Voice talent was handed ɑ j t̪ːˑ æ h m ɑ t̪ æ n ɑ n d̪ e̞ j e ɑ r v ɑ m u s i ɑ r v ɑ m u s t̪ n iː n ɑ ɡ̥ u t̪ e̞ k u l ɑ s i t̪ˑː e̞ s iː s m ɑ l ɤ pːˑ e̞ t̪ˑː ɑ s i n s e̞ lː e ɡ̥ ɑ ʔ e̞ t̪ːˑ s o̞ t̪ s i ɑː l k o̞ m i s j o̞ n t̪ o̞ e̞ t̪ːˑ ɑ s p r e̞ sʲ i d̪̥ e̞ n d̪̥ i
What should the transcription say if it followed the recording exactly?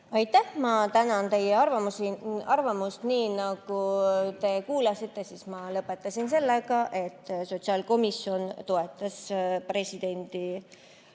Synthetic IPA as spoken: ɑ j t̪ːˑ æ h m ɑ t̪ æ n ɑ n t̪ e̞ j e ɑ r v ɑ m u s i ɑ r v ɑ m u s t̪ n iː n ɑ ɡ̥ u t̪ e̞ k uː l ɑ s i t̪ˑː e̞ s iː s m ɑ l ɤ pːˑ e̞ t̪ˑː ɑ s i n s e̞ lː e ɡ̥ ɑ ʔ e̞ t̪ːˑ s o̞ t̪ s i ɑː l k o̞ m i s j o̞ n t̪ o̞ e̞ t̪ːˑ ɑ s p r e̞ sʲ i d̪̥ e̞ n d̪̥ i